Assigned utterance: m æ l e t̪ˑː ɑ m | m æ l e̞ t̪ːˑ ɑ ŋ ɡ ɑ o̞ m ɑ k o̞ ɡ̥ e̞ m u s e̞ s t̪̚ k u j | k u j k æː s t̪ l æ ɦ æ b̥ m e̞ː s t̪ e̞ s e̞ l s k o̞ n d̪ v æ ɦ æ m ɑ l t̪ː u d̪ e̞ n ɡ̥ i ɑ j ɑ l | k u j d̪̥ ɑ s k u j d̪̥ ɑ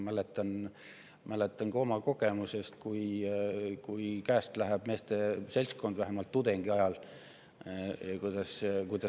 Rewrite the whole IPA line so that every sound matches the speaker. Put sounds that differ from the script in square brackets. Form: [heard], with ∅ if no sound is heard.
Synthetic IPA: m æ l e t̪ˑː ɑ [n] | m æ l e̞ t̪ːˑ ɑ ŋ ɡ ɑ o̞ m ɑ k o̞ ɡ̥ e̞ m u s e̞ s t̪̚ k u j | k u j k æː s t̪ l æ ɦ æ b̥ m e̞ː s t̪ e̞ s e̞ l s k o̞ n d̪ v æ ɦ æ m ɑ l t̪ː u d̪ e̞ [ŋ] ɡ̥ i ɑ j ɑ l | k u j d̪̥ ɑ s k u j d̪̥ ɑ